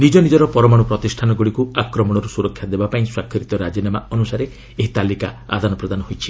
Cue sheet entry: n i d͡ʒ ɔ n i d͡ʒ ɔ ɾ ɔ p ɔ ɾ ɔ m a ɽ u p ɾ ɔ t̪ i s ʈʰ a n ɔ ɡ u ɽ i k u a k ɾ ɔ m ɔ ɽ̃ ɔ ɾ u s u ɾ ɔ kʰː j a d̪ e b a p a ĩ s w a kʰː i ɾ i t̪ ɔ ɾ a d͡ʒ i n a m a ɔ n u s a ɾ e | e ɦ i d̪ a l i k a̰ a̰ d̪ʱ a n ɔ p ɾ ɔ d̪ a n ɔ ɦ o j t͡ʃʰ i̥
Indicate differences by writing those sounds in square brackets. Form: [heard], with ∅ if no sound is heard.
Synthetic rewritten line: n i d͡ʒ ɔ n i d͡ʒ ɔ ɾ ɔ p ɔ ɾ ɔ m a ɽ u p ɾ ɔ t̪ i s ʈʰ a n ɔ ɡ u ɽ i k u a k ɾ ɔ m ɔ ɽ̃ ɔ ɾ u s u ɾ ɔ kʰː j a d̪ e b a p a ĩ s w a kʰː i ɾ i t̪ ɔ ɾ a d͡ʒ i n a m a ɔ n u s a ɾ e | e ɦ i [t̪] a l i k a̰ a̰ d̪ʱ a n ɔ p ɾ ɔ d̪ a n ɔ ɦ o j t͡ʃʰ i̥